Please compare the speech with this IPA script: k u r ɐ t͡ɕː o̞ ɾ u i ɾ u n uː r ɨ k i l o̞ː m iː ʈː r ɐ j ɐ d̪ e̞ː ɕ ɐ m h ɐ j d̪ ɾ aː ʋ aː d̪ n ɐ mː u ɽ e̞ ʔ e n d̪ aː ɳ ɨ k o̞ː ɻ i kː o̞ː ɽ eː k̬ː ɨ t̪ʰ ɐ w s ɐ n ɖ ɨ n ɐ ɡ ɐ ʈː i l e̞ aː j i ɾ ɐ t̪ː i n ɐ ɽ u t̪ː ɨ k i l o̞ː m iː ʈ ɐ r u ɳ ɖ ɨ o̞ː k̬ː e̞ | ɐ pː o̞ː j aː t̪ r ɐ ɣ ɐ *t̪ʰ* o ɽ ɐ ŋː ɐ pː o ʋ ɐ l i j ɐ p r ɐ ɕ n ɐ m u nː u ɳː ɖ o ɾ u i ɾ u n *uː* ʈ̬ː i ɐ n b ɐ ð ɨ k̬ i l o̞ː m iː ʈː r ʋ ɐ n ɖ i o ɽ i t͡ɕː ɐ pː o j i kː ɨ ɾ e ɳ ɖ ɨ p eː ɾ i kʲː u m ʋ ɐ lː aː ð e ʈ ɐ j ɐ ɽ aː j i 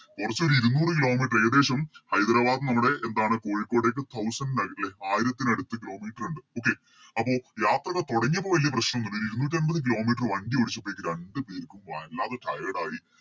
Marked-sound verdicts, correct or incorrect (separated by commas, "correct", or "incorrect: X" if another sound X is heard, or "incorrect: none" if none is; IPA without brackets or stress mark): incorrect: t̪, correct